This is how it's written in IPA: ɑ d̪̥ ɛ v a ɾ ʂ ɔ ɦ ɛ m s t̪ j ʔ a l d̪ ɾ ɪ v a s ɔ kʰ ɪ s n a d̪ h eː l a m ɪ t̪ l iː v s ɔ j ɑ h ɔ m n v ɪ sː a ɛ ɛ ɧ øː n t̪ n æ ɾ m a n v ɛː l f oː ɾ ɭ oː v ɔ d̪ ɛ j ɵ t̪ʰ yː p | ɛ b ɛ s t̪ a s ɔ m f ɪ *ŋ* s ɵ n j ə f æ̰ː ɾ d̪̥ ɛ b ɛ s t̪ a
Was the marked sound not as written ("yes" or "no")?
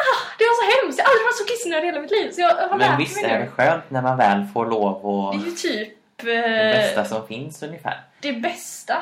yes